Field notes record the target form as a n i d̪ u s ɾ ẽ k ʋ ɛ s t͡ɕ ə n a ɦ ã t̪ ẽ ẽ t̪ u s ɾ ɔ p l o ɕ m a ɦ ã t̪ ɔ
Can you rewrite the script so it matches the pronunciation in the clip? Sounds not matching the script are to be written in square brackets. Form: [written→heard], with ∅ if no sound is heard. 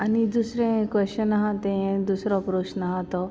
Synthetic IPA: a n i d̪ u s ɾ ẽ k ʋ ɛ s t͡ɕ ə n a ɦ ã t̪ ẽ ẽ [t̪→d̪] u s ɾ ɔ p [l→ɾ] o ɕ [m→n] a ɦ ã t̪ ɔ